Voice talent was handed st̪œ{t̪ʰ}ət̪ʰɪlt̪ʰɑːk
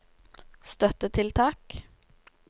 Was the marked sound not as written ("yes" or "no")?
yes